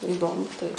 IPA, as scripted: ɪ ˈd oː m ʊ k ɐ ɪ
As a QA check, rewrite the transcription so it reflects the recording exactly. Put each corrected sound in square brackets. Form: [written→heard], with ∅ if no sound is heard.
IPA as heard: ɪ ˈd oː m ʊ [k→t] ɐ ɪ